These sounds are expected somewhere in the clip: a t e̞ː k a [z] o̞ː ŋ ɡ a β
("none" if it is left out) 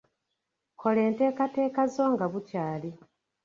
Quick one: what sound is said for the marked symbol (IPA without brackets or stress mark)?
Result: z